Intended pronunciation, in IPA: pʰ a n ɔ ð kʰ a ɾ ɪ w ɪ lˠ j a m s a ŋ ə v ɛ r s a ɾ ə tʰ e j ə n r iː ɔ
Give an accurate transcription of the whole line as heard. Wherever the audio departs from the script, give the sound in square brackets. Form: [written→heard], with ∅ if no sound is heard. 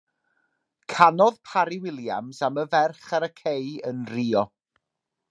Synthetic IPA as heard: [pʰ→kʰ] a n ɔ ð [kʰ→pʰ] a ɾ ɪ w ɪ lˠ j a m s a [ŋ→m] ə v ɛ r [s→χ] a ɾ ə [tʰ→kʰ] e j ə n r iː ɔ